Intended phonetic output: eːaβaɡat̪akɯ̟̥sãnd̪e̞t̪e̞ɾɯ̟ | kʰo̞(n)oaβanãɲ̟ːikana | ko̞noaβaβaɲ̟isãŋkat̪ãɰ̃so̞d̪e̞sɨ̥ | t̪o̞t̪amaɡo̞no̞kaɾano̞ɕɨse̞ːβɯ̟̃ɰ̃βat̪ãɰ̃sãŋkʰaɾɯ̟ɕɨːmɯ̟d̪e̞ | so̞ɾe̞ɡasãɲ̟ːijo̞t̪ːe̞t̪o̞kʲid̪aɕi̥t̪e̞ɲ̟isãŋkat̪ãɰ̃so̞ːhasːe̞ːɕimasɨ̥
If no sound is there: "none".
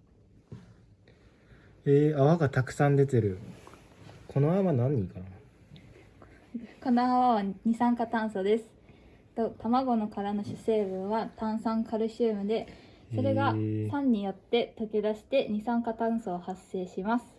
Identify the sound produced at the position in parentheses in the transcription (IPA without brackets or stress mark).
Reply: n